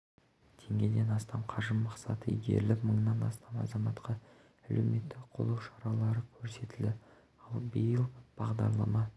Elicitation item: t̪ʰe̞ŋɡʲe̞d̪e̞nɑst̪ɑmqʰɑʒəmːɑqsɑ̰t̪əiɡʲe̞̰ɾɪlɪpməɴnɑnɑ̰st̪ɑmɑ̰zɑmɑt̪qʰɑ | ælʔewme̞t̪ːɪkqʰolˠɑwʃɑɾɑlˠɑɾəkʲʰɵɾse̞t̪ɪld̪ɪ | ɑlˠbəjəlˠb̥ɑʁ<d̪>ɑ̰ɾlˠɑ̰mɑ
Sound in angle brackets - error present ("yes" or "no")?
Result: no